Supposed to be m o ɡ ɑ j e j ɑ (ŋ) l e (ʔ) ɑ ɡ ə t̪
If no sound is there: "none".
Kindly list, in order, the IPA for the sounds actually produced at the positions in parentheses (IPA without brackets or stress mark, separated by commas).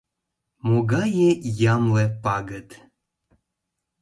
m, p